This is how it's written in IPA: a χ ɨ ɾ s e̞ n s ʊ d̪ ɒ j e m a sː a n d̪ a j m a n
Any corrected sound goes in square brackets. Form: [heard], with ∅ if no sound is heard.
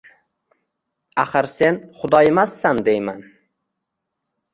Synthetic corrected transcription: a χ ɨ ɾ s e̞ n [χ] ʊ d̪ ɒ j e m a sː a n d̪ [e] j m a n